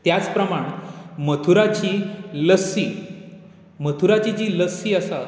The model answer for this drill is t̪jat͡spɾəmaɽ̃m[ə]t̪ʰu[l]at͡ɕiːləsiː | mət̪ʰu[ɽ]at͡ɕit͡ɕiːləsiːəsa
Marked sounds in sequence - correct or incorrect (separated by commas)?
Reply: correct, incorrect, incorrect